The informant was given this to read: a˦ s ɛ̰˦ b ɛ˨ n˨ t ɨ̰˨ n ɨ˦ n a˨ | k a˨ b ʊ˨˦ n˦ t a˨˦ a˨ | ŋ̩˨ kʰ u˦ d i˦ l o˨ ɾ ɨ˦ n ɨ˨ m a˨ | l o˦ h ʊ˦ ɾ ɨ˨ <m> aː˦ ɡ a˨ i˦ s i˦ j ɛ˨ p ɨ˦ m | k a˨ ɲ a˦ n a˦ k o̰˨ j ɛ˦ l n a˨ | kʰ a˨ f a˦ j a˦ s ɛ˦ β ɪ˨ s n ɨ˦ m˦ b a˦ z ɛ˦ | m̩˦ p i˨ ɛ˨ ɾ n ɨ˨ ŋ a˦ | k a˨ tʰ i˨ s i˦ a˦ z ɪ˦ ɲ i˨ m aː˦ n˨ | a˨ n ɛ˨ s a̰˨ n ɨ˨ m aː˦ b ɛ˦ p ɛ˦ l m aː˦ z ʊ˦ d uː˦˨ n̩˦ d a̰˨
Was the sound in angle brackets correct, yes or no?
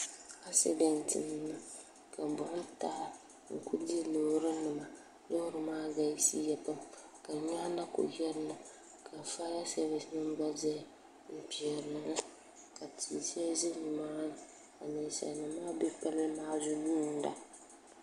yes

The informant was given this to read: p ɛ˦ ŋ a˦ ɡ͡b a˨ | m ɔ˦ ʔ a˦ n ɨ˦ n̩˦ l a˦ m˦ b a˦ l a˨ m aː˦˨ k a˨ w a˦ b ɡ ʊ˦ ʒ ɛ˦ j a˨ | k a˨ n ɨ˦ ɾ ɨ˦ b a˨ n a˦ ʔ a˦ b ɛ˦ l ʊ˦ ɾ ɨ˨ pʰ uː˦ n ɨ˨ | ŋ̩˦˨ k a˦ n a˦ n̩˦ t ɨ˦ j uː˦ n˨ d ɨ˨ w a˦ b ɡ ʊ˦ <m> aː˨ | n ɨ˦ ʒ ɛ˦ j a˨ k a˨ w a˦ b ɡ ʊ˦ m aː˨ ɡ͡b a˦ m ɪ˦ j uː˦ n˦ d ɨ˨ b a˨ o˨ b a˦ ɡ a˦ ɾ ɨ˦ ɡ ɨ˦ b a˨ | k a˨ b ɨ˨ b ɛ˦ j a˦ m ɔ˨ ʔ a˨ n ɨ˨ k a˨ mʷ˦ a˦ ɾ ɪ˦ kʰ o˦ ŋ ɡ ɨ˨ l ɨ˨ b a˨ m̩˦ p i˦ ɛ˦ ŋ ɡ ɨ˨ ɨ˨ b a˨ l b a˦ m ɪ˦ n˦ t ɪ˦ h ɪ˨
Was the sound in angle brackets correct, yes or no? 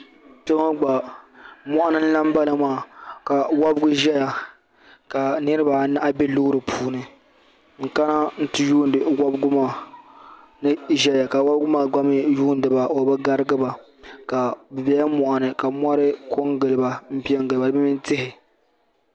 yes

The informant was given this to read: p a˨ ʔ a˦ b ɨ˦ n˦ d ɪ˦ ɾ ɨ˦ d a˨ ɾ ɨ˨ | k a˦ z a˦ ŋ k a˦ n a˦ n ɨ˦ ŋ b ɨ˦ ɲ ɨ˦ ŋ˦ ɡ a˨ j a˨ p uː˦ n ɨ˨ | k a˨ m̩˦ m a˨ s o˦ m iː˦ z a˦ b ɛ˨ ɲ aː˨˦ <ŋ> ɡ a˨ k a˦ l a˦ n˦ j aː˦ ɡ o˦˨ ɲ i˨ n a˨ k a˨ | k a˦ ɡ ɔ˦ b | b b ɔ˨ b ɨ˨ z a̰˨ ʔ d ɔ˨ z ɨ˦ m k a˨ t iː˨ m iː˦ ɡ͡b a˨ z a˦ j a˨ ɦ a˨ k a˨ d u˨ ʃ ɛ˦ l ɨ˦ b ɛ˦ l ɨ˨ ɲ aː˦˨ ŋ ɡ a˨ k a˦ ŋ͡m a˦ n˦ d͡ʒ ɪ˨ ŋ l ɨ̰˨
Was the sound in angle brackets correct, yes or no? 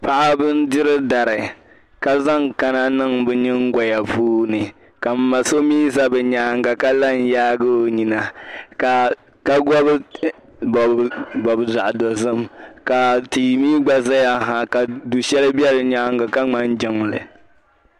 yes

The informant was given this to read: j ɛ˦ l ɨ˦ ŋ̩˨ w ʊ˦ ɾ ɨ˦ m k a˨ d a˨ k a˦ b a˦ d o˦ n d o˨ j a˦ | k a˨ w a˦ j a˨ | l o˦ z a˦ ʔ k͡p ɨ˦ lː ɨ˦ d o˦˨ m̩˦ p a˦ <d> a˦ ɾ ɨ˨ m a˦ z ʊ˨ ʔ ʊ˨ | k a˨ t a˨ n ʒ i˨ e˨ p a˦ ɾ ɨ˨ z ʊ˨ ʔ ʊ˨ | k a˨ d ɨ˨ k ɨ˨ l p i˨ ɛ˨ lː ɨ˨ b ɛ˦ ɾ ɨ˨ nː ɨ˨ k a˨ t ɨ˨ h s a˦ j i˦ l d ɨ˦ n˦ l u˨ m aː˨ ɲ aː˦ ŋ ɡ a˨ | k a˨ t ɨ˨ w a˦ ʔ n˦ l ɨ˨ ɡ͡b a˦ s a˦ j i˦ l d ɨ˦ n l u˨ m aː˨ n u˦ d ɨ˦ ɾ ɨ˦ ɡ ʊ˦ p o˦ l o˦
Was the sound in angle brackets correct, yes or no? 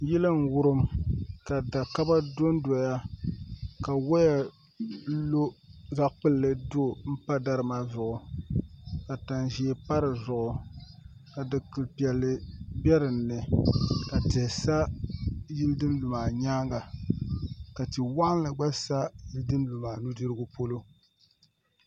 yes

